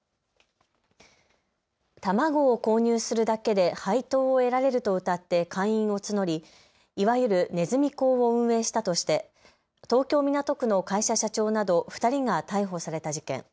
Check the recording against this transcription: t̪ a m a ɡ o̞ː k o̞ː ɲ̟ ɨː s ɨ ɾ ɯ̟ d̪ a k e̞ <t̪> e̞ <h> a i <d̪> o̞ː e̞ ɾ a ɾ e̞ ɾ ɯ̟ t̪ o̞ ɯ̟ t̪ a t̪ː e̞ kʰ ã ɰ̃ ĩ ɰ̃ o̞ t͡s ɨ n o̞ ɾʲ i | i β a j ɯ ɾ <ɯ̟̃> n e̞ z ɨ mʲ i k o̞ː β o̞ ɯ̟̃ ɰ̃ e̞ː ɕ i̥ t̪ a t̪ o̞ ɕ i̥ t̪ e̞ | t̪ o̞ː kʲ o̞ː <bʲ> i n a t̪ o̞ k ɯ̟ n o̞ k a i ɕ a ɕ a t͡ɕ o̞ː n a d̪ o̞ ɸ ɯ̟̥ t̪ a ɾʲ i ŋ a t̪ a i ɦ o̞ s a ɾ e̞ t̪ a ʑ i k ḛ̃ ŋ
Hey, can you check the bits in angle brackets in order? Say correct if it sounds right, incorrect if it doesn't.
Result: incorrect, correct, incorrect, incorrect, incorrect

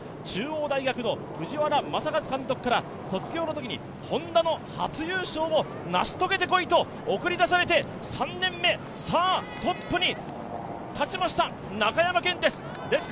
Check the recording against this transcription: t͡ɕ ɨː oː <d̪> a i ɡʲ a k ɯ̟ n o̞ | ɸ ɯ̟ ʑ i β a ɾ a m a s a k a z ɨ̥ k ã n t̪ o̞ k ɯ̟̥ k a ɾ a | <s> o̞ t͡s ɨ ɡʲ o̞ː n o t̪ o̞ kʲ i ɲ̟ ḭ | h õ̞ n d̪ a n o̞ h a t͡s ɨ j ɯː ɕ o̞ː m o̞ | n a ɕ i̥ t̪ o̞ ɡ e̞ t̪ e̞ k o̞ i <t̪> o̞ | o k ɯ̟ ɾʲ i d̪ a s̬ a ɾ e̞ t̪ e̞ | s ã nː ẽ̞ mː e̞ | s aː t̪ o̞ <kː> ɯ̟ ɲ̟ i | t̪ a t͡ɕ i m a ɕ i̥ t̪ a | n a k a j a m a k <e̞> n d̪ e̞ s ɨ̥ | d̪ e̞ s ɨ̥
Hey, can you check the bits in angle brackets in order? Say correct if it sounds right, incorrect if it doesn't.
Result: correct, correct, correct, incorrect, incorrect

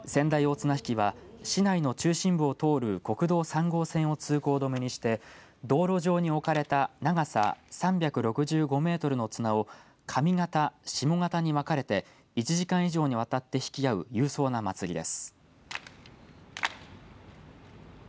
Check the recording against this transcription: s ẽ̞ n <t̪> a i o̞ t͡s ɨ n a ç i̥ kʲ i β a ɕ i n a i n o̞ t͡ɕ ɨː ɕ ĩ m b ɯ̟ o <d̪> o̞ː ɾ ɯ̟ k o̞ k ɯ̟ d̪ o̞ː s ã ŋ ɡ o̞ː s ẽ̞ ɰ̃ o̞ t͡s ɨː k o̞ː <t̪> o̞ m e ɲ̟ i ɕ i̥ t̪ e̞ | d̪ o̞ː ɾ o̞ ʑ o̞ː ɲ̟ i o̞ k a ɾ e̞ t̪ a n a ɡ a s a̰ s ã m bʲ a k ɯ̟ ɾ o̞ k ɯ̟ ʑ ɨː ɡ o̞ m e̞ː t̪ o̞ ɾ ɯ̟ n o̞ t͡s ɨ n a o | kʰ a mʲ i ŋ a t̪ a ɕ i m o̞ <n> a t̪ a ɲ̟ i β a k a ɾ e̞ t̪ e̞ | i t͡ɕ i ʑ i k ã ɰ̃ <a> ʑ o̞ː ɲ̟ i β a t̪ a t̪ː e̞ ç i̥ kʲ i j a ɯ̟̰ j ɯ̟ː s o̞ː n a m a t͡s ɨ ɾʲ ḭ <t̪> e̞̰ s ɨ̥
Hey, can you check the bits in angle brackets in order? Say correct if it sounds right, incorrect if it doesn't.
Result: incorrect, incorrect, incorrect, incorrect, incorrect, incorrect

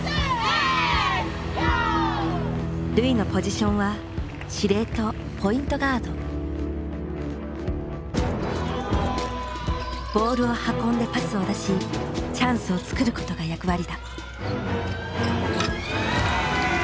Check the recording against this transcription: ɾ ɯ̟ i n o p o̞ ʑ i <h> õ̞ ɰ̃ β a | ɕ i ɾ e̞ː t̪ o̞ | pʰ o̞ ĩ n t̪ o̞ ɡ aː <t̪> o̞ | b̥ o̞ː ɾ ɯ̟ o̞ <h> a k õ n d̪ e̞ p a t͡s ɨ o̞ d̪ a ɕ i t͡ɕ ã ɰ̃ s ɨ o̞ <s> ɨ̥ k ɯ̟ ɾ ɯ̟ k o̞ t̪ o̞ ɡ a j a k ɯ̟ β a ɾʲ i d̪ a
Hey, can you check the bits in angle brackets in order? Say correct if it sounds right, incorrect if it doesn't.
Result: incorrect, incorrect, correct, incorrect

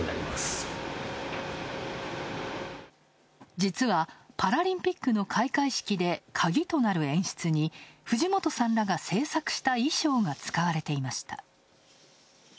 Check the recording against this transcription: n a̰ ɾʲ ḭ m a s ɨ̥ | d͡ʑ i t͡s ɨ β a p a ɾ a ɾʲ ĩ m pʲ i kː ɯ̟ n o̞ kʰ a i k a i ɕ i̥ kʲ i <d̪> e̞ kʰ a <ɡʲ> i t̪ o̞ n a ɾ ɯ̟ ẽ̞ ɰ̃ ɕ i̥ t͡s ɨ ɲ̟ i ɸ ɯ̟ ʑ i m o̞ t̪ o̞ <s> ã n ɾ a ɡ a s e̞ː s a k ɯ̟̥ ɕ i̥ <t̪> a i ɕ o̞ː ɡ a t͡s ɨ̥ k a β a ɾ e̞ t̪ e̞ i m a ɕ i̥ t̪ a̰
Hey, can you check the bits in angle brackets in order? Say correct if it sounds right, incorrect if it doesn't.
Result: correct, correct, correct, correct

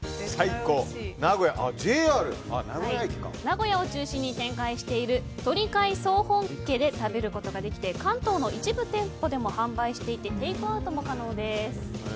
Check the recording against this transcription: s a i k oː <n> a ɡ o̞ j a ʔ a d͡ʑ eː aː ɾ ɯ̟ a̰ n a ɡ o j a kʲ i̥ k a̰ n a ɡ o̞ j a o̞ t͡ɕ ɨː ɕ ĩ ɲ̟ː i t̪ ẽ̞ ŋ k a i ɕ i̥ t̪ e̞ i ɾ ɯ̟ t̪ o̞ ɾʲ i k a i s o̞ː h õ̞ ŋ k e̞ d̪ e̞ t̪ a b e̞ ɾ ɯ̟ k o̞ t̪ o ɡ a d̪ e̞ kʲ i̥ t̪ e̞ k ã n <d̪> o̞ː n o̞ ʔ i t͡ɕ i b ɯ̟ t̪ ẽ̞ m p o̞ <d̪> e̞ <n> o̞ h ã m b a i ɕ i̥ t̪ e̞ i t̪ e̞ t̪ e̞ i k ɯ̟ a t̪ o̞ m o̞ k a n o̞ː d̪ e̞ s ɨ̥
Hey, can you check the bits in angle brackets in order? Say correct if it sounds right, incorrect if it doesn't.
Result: correct, incorrect, correct, incorrect

